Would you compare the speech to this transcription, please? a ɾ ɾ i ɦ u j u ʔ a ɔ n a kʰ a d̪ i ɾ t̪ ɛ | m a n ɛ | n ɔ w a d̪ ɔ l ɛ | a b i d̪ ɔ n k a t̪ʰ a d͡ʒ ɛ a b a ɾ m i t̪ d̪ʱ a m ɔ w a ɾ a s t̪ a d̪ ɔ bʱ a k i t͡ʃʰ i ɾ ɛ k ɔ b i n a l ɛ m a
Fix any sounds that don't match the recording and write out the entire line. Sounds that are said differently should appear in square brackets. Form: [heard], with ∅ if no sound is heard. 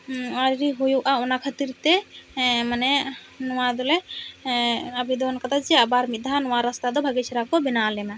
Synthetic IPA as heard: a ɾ ɾ i ɦ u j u ʔ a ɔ n a kʰ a [t̪] i ɾ t̪ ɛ | m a n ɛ | n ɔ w a d̪ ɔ l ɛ | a b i d̪ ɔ n k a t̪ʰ a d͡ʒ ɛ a b a ɾ m i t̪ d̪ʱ a [n] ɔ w a ɾ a s t̪ a d̪ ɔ bʱ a [ɡ] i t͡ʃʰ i ɾ [a] k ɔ b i n a l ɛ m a